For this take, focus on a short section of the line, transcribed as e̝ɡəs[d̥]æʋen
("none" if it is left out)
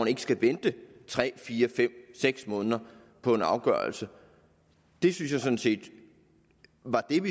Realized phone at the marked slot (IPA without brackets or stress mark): ɡ̥